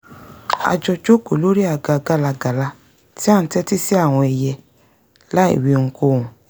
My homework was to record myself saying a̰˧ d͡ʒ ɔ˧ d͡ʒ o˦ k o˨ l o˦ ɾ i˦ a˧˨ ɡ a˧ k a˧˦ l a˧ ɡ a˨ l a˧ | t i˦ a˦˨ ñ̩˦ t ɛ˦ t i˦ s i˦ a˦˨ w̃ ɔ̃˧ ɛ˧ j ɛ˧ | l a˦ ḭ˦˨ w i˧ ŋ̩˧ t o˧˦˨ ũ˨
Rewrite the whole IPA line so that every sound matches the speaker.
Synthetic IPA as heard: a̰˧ d͡ʒ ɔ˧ d͡ʒ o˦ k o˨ l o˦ ɾ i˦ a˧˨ ɡ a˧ ɡ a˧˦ l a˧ ɡ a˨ l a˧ | t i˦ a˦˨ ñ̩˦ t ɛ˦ t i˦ s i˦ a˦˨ w̃ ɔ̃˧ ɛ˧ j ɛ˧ | l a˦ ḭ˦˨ w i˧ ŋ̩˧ k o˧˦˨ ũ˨